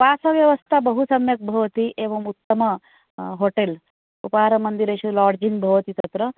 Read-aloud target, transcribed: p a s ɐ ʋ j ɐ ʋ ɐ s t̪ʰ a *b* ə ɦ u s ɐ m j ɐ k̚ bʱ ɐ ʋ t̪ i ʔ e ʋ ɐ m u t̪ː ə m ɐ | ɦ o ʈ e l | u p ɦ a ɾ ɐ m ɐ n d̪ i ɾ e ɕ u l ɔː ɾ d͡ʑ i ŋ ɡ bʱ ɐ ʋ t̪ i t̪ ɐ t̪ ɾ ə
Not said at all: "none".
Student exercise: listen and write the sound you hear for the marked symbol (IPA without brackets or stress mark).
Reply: b